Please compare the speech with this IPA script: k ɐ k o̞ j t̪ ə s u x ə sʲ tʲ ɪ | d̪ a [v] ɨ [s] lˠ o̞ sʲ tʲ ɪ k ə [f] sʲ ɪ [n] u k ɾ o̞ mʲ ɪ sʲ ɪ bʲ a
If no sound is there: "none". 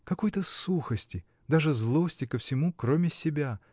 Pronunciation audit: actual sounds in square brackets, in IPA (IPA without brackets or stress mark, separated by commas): ʐ, z, f, m